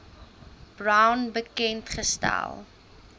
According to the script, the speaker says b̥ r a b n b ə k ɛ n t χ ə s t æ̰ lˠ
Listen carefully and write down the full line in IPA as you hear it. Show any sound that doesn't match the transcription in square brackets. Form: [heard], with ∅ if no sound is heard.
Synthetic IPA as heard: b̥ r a [w] n b ə k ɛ n t χ ə s t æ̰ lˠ